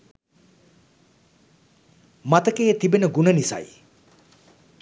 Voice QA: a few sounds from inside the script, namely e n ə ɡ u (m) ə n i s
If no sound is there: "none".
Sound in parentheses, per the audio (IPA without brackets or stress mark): n